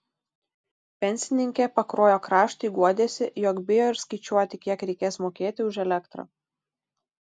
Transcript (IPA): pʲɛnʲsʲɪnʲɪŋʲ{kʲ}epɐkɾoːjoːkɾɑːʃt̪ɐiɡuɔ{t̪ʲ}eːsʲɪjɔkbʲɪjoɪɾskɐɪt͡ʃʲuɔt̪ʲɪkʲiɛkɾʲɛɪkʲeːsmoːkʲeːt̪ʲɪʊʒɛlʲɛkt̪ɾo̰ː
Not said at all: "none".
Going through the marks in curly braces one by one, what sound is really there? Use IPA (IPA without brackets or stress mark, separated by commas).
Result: kʲ, d̪ʲ